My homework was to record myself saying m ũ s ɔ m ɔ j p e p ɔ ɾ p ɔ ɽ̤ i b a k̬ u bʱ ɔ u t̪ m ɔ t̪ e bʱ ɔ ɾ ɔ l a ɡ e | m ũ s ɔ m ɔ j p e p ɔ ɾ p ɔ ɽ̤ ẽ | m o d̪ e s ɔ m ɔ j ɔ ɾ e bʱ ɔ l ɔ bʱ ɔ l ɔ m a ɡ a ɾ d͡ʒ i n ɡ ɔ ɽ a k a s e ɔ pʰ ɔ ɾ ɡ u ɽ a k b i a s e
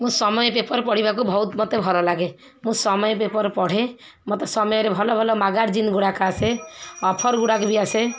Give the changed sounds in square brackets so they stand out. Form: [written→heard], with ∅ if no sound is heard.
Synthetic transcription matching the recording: m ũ s ɔ m ɔ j p e p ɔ ɾ p ɔ ɽ̤ i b a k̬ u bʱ ɔ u t̪ m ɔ t̪ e bʱ ɔ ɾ ɔ l a ɡ e | m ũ s ɔ m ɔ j p e p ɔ ɾ p ɔ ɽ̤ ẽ | m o [d̪→t̪] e s ɔ m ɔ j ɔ ɾ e bʱ ɔ l ɔ bʱ ɔ l ɔ m a ɡ a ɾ d͡ʒ i n ɡ [ɔ→u] ɽ a k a s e ɔ pʰ ɔ ɾ ɡ u ɽ a k b i a s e